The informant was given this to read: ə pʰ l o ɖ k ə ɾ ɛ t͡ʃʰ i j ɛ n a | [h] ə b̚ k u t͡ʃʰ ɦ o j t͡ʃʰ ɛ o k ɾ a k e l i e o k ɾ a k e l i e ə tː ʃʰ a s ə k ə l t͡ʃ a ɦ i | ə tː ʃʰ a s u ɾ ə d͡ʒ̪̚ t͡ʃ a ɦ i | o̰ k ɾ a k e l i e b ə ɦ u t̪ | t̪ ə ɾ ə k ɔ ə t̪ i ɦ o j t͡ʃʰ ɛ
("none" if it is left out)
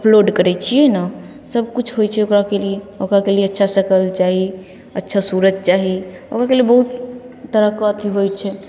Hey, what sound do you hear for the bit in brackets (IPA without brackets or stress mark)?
s